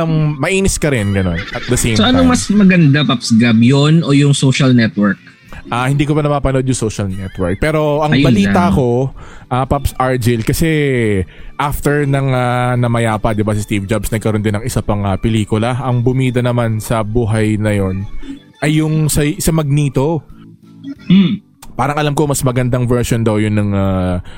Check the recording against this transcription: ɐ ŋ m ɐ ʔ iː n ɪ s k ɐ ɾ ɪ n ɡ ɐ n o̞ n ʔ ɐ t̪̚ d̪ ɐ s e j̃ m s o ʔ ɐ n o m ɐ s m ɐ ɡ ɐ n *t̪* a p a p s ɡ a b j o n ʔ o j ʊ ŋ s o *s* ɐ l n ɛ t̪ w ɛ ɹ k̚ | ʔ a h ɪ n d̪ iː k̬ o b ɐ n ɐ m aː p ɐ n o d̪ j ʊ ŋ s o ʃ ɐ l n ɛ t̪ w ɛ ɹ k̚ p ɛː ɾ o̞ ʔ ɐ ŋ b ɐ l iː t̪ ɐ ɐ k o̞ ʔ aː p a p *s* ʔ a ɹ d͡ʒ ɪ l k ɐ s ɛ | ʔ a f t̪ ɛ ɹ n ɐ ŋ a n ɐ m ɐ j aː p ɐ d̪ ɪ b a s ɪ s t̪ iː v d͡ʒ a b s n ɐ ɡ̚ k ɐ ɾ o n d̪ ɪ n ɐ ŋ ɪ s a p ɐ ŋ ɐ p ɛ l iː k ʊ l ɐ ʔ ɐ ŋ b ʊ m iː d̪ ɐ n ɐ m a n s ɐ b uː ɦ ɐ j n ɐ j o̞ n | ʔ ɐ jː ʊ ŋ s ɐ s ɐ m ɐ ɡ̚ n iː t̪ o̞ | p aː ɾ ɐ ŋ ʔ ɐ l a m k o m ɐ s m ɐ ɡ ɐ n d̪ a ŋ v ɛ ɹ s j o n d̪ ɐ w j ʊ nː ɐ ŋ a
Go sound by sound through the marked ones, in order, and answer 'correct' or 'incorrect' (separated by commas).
incorrect, incorrect, correct